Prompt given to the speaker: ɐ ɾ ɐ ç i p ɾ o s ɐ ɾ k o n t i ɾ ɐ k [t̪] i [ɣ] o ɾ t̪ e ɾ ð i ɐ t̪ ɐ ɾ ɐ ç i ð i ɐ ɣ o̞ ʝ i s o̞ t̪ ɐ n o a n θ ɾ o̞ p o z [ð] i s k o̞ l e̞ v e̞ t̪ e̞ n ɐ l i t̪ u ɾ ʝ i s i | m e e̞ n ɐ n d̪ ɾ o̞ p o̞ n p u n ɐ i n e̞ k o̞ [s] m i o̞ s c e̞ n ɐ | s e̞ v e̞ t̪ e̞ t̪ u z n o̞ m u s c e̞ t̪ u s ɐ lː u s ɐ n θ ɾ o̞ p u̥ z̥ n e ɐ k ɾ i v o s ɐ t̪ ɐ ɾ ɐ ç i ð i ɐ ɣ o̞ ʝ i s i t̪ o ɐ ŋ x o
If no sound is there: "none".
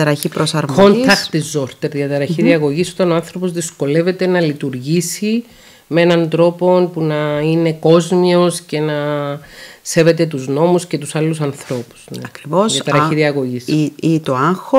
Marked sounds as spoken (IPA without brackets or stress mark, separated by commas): t̪, z, ð, z